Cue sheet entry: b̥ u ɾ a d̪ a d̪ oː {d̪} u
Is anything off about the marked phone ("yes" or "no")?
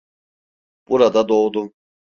no